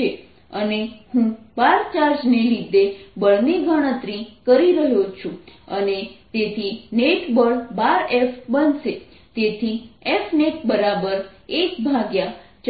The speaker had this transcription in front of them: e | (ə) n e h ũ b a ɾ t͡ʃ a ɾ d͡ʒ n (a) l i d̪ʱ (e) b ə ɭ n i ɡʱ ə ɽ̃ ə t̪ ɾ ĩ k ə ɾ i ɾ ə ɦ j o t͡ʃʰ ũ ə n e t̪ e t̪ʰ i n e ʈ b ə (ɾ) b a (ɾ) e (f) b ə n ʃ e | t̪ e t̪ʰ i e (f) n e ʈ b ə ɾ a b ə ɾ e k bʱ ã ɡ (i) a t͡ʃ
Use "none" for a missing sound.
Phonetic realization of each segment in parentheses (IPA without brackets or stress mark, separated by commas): ə, e, e, ɭ, ɾ, f, f, j